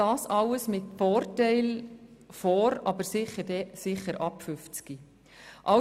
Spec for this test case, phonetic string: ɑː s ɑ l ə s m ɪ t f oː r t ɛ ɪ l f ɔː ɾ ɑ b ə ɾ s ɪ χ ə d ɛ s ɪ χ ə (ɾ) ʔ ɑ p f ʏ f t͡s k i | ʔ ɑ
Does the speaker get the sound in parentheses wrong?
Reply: no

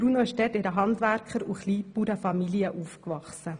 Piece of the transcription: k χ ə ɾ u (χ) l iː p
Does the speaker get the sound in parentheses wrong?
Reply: no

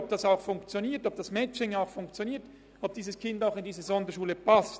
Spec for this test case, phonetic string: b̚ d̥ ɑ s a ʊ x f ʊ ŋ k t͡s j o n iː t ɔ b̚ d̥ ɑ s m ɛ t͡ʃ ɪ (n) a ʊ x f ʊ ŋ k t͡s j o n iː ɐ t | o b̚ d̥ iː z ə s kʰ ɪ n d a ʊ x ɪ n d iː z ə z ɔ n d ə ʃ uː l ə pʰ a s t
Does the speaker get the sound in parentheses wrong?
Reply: yes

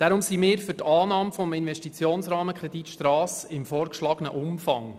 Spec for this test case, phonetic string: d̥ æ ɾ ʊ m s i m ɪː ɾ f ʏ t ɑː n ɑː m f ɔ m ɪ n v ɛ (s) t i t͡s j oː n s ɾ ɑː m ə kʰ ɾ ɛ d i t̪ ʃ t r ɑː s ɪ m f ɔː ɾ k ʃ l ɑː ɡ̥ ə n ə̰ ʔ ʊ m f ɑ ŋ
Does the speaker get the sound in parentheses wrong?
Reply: yes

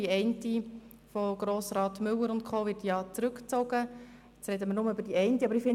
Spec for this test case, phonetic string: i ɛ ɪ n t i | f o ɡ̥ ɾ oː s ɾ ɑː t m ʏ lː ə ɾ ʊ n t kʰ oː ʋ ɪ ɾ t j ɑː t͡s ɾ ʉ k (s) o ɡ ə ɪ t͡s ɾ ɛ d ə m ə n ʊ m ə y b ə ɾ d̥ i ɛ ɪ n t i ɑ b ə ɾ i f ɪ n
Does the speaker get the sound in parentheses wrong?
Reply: yes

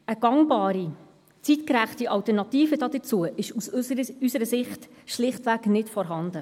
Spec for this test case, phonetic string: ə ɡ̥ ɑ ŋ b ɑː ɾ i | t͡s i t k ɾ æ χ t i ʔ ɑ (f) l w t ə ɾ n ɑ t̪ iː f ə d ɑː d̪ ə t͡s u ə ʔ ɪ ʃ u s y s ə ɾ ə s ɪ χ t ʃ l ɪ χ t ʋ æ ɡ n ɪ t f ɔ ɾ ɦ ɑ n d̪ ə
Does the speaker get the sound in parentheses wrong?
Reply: yes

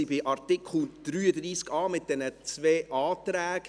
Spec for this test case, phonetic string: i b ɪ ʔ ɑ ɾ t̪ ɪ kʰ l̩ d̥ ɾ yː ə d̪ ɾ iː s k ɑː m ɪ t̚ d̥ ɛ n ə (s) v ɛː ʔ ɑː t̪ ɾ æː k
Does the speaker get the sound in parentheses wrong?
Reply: yes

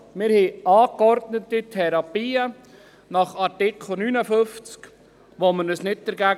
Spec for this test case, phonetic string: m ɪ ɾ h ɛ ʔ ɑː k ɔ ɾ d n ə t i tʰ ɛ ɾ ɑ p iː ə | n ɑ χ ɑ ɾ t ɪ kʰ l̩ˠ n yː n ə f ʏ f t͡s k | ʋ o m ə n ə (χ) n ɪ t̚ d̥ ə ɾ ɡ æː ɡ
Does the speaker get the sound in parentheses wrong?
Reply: yes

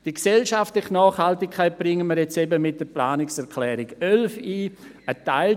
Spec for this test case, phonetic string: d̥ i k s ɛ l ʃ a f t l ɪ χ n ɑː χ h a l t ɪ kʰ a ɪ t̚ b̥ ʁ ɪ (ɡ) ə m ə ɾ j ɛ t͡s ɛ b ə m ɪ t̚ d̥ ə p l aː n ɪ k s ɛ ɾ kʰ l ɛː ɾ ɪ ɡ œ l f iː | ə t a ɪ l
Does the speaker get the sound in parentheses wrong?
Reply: yes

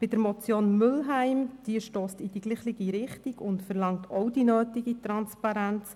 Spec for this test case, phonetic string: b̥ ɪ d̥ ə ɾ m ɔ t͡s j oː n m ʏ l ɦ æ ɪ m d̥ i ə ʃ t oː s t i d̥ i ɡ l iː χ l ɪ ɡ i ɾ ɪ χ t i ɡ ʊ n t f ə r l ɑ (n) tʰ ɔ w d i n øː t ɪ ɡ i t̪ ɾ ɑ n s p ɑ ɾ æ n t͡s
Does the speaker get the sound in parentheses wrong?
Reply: yes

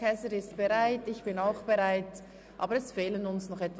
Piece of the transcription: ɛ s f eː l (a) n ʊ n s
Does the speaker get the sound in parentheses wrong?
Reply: yes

